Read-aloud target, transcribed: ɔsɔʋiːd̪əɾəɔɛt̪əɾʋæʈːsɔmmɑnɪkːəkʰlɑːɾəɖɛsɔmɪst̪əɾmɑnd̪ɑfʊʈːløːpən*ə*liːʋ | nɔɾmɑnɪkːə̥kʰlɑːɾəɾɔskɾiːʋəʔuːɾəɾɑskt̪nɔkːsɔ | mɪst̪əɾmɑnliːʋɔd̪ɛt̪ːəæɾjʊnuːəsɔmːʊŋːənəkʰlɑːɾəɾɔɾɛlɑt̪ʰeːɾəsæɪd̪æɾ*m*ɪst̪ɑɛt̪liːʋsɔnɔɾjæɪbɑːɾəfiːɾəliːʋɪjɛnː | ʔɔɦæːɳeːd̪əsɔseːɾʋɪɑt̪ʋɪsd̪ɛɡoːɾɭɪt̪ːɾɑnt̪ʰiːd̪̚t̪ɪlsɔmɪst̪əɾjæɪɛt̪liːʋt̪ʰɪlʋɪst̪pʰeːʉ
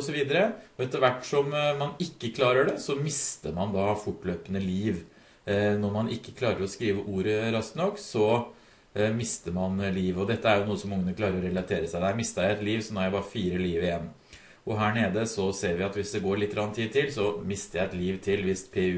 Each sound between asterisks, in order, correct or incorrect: correct, correct

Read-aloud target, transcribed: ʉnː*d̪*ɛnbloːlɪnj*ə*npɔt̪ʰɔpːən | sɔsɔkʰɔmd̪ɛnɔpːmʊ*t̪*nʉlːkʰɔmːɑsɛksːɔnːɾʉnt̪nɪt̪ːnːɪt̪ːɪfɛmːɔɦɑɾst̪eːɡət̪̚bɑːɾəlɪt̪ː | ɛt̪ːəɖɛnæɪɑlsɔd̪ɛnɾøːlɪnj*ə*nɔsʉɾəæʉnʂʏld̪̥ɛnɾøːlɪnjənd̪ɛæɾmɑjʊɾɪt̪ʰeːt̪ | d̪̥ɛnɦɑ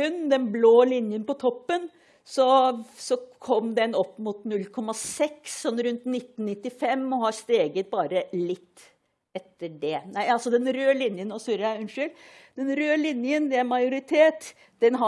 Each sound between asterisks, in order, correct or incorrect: correct, correct, correct, correct

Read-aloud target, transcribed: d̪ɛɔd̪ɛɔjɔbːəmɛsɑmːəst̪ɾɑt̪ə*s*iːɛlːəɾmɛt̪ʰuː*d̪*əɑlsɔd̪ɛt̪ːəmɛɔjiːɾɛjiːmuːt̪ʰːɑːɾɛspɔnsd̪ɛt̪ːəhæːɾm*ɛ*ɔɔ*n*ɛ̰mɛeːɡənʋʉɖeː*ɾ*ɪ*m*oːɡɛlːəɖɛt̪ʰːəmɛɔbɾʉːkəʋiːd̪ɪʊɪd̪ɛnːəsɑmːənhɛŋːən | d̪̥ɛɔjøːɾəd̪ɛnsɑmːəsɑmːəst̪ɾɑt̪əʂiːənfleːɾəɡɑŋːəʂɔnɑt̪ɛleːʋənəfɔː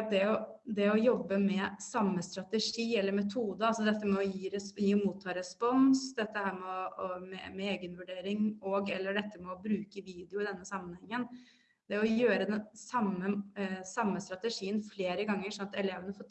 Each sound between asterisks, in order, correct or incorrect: incorrect: ʂ, correct, correct, incorrect: m, correct, incorrect: ŋ

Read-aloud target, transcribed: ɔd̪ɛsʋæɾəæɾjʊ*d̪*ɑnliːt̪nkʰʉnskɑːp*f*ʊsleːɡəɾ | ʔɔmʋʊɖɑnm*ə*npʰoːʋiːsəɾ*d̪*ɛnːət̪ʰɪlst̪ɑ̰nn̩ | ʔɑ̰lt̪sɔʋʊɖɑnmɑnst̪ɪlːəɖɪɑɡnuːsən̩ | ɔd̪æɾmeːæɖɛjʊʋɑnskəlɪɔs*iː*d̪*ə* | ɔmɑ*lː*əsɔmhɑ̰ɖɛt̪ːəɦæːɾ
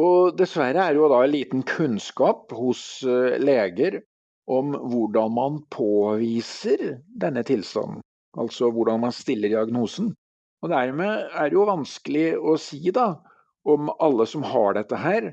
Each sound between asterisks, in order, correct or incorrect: correct, incorrect: h, incorrect: ɑ, correct, correct, incorrect: ɑ, correct

